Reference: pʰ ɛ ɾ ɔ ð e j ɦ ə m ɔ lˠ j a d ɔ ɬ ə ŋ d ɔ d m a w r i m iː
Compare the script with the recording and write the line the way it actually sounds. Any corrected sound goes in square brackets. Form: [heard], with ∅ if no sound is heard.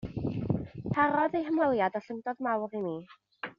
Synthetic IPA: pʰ [a] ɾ ɔ ð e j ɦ ə m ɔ lˠ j a d ɔ ɬ ə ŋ d ɔ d m a w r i m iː